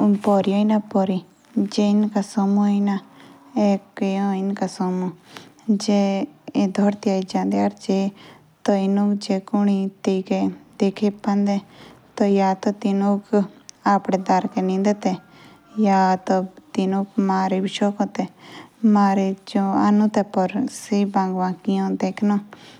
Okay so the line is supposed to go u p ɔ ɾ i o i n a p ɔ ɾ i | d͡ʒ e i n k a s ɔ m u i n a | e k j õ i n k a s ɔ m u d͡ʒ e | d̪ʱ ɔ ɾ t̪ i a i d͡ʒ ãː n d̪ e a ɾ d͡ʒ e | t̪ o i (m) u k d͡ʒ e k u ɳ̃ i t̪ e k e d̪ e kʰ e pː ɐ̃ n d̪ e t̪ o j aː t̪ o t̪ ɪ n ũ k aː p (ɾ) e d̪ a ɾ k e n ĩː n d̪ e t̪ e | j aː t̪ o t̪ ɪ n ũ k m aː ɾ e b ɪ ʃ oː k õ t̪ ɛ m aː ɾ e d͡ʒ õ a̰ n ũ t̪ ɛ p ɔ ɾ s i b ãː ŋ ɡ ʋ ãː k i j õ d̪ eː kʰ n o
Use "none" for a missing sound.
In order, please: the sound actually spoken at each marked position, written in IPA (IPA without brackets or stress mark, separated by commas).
n, ɽ